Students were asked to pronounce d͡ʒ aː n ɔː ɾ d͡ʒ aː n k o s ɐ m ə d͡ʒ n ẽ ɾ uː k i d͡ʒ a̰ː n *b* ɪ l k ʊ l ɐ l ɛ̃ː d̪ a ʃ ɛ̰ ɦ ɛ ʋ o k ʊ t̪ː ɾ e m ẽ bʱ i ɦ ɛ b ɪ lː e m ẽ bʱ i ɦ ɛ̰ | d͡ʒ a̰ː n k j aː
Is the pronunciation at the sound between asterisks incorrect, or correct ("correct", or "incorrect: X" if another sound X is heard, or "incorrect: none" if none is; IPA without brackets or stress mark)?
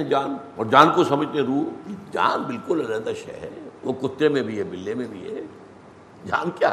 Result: correct